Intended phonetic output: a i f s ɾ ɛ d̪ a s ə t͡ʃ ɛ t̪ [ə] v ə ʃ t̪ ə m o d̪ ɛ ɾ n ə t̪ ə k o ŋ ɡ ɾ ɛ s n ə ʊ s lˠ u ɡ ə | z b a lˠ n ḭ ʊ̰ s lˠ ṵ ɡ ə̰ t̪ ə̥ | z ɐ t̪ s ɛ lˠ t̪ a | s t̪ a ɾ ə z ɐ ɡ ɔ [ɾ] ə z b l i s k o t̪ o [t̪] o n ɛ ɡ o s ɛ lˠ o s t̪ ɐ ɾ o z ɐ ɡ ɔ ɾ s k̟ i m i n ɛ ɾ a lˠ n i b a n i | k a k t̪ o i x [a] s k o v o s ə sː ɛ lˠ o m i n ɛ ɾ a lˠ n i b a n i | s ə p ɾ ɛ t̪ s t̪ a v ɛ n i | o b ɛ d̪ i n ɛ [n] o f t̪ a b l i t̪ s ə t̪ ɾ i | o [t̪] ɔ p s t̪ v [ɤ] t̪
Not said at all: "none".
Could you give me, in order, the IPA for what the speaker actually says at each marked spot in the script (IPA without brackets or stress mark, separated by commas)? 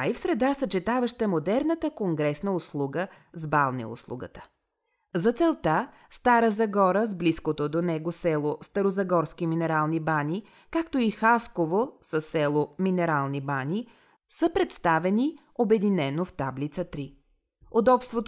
a, ɾ, d̪, a, n, d̪, o